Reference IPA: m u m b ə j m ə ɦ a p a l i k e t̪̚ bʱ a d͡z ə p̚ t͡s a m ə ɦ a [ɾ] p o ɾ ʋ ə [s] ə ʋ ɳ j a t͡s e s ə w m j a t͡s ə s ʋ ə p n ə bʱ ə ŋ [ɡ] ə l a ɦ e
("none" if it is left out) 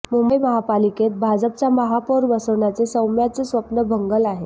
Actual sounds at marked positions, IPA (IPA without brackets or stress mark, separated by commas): none, s, ɡ